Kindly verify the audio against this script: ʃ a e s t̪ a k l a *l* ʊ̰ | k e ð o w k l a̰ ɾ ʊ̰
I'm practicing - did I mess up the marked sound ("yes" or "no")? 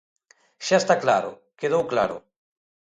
yes